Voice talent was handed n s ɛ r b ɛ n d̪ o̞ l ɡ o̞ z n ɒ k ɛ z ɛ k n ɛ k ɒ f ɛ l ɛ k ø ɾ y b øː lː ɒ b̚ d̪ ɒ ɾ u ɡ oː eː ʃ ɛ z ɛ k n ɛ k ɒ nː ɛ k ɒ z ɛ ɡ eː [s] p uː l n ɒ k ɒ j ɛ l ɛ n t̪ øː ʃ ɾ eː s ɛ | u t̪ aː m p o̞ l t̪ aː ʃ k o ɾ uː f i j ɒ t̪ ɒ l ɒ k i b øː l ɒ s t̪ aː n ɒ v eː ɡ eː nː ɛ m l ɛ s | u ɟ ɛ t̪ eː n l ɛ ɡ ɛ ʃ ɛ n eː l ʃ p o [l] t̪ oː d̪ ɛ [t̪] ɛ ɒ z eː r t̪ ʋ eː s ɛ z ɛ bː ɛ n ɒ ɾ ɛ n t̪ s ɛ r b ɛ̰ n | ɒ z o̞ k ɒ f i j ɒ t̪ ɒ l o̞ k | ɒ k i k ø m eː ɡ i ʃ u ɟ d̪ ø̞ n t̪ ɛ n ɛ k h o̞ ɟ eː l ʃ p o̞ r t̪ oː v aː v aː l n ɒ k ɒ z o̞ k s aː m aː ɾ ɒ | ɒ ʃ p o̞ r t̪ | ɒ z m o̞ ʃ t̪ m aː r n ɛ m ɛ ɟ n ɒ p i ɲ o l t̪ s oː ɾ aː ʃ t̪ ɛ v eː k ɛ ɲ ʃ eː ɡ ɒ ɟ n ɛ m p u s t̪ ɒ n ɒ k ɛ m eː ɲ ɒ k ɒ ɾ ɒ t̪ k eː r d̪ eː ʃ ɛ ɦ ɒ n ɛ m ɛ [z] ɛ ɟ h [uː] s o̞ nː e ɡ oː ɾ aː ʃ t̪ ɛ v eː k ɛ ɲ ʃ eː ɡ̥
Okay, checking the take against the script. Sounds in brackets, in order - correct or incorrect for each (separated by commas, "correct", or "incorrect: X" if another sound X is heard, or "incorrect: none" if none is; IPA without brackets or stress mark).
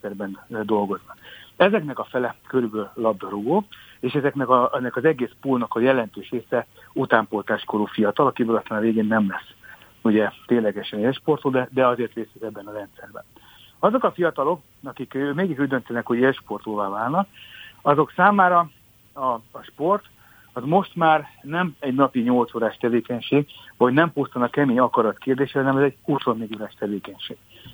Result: correct, incorrect: r, incorrect: d̪, correct, incorrect: u